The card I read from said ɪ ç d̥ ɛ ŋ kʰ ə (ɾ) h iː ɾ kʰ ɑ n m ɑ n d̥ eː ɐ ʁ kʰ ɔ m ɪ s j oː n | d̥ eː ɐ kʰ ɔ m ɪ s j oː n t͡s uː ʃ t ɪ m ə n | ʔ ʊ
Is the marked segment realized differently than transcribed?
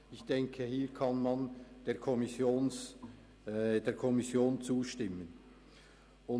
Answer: yes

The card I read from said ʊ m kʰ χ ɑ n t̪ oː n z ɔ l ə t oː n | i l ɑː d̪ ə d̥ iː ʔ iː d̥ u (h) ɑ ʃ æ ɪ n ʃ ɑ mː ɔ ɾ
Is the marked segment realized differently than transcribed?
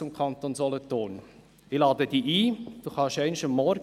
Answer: yes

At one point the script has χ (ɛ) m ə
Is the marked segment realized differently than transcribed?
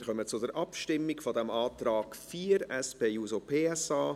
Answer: yes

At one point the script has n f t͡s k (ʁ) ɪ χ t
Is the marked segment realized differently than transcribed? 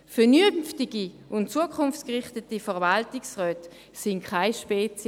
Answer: no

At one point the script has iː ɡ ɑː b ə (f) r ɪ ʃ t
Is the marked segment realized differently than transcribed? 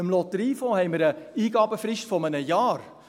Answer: no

